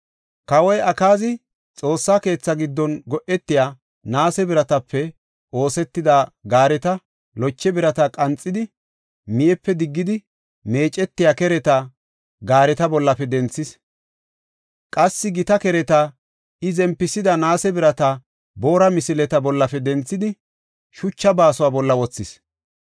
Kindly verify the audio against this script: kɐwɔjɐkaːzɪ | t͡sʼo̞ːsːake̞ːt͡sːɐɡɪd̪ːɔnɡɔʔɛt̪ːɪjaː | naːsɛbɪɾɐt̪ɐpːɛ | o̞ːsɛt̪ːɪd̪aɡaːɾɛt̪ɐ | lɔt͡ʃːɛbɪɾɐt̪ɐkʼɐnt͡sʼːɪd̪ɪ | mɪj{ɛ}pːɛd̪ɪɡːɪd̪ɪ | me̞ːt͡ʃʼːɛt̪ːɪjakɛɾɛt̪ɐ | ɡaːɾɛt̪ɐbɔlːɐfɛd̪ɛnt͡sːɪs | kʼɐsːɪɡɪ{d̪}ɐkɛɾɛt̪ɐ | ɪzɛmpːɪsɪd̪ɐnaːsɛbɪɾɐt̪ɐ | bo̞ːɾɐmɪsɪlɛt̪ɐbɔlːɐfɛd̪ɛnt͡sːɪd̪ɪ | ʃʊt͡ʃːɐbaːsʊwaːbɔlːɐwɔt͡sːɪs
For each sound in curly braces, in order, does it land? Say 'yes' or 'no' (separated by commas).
yes, no